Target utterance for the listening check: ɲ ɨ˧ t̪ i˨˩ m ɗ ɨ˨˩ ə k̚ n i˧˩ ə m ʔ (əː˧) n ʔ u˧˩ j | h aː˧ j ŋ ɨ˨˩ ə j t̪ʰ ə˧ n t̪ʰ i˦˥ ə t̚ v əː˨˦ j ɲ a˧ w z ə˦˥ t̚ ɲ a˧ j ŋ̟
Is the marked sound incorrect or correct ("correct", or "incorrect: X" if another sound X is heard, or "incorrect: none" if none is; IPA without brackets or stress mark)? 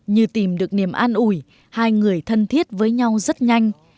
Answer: incorrect: aː˧